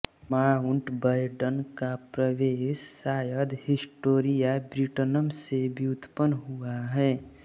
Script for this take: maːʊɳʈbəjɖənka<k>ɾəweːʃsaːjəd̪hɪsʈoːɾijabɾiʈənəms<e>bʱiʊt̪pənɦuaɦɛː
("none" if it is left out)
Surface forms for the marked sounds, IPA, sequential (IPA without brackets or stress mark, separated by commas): p, e